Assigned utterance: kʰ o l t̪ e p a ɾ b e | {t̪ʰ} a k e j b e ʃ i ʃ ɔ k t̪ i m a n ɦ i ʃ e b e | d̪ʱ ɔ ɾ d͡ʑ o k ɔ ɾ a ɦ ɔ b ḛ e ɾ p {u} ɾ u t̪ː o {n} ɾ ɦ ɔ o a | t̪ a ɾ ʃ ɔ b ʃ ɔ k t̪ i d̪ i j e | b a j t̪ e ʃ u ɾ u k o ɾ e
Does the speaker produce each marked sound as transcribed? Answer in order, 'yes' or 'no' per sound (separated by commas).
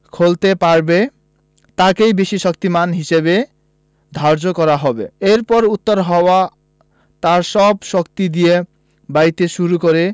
no, no, no